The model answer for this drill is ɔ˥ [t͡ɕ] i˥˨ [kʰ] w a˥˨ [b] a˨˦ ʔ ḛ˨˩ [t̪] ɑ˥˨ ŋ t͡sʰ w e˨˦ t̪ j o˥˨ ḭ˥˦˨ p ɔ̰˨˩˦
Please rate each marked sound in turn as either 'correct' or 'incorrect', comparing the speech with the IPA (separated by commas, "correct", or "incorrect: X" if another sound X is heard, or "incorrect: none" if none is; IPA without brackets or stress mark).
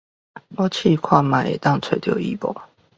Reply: incorrect: t͡ɕʰ, correct, incorrect: m, correct